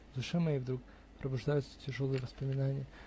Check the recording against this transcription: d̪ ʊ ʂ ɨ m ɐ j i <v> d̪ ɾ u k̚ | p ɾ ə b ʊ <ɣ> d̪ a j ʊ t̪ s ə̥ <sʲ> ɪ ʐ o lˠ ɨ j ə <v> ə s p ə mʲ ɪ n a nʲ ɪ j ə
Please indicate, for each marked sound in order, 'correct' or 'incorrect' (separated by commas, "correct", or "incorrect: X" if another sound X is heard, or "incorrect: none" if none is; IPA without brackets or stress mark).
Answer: correct, incorrect: ʐ, incorrect: tʲ, correct